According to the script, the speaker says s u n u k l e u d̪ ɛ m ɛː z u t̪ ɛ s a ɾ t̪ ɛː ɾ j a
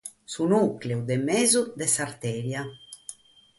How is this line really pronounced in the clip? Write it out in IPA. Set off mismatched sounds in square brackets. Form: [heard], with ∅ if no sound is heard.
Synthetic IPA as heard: s u n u k l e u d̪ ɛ m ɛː z u [d̪] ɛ s a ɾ t̪ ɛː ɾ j a